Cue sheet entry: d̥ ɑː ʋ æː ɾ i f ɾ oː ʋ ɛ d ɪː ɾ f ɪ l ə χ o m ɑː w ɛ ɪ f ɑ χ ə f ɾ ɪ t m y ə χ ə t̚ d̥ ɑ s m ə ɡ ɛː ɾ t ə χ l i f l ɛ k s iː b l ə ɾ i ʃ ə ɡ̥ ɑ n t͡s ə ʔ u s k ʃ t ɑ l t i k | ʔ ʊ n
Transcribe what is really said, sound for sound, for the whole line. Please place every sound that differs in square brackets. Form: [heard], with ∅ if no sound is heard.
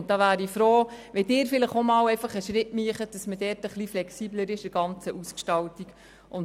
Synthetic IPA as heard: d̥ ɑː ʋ æː ɾ i f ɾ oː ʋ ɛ d ɪː ɾ f ɪ l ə χ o m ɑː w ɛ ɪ f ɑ χ ə [ʃ] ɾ ɪ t m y ə χ ə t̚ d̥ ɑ s m ə [d] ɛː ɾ t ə χ l i f l ɛ k s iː b l ə ɾ [ɪ] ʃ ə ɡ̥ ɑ n t͡s ə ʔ u s k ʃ t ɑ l t i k | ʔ ʊ n